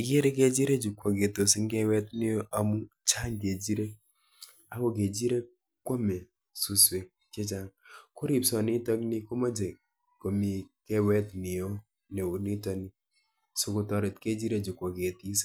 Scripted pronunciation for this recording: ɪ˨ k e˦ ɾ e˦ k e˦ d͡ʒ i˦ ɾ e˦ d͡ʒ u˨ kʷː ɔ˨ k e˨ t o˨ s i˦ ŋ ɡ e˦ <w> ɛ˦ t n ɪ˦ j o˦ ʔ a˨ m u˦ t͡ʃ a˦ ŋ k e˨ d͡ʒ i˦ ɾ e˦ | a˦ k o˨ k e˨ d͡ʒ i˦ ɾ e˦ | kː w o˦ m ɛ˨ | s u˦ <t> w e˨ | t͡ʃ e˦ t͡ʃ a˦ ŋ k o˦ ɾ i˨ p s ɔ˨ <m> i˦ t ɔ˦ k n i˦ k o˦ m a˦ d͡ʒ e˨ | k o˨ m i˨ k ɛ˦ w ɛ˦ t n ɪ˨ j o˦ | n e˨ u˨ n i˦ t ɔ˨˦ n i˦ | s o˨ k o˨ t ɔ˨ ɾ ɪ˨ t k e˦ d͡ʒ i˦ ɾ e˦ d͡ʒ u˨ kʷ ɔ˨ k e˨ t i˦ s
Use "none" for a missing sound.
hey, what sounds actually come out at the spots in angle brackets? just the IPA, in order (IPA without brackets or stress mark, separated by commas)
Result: w, s, n